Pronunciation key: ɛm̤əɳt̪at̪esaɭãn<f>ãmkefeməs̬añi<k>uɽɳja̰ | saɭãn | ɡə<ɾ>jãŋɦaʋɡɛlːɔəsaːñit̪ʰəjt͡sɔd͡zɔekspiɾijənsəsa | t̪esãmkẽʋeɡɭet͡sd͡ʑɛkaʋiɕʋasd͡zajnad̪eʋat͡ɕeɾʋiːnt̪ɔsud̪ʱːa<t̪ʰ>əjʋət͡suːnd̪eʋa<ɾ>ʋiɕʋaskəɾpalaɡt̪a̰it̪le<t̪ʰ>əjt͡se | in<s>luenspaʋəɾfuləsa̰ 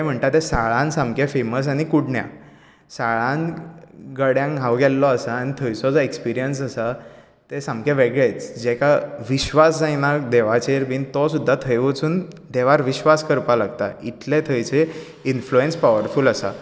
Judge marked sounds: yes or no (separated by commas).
no, yes, no, yes, yes, yes, no